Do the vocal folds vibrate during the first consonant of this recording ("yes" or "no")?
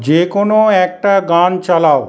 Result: yes